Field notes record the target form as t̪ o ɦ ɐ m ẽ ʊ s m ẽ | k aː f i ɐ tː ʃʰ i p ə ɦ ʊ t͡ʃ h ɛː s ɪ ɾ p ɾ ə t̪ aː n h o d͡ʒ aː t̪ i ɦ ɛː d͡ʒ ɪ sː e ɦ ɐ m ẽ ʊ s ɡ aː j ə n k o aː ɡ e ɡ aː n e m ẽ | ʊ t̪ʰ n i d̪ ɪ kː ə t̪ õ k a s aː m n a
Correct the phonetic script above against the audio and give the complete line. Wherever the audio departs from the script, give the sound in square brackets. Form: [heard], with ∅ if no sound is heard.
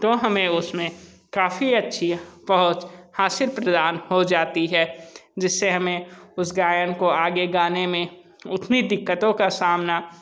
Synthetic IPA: t̪ o ɦ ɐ m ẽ ʊ s m ẽ | k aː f i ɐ tː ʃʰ i p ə ɦ ʊ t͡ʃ h [aː] s ɪ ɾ p ɾ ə [d̪] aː n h o d͡ʒ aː t̪ i ɦ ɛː d͡ʒ ɪ sː e ɦ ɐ m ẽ ʊ s ɡ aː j ə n k o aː ɡ e ɡ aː n e m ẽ | ʊ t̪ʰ n i d̪ ɪ kː ə t̪ õ k a s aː m n a

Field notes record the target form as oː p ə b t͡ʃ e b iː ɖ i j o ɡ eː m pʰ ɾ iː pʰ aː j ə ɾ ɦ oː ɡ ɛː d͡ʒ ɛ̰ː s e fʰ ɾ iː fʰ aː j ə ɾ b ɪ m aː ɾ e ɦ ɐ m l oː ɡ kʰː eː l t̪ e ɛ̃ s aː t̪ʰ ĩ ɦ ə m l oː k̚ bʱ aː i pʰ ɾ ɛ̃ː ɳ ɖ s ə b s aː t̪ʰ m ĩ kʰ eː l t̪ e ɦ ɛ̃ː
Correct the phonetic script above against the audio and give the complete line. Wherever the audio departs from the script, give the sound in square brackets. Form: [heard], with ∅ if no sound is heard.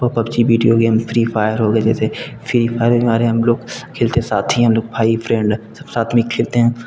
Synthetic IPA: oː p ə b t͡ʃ [i] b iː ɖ i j o ɡ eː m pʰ ɾ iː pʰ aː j ə ɾ ɦ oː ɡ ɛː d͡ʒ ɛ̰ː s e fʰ ɾ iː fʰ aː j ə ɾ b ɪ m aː ɾ e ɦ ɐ m l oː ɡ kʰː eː l t̪ e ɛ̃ s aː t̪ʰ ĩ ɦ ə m l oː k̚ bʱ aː i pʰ ɾ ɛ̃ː ɳ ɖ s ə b s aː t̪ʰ m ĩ kʰ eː l t̪ e ɦ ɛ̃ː

